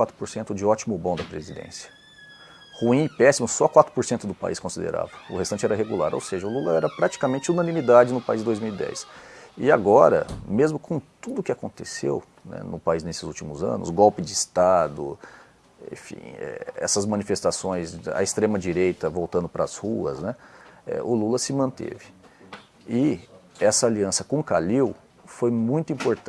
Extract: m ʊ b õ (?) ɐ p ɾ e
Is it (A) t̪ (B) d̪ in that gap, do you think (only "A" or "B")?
B